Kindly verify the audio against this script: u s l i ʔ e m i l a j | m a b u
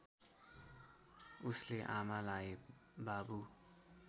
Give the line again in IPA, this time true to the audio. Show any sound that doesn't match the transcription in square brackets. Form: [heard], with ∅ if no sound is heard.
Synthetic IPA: u s l [e] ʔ [a] m [a] l a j | [b] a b u